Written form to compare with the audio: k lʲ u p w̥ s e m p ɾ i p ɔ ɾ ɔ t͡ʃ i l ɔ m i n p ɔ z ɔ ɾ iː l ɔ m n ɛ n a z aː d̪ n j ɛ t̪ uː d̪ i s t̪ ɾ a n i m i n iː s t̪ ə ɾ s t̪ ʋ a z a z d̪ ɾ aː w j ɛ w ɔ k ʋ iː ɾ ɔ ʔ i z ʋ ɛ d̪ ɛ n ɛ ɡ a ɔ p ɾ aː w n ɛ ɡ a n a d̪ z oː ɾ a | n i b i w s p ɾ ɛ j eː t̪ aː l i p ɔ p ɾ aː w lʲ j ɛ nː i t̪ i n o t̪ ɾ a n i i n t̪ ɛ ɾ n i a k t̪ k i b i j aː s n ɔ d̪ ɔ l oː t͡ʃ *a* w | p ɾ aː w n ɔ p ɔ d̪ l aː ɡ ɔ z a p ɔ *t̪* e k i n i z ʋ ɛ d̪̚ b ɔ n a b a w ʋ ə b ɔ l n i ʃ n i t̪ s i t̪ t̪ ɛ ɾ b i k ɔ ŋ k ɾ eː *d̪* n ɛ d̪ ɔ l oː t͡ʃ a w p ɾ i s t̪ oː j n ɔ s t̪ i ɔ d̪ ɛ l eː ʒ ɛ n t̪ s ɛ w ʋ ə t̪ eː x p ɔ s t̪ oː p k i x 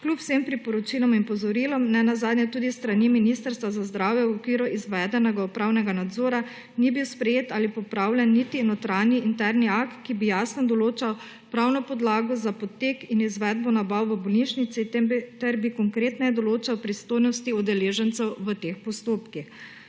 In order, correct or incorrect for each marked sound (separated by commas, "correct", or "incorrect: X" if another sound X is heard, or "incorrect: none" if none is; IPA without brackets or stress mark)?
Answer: correct, correct, incorrect: t̪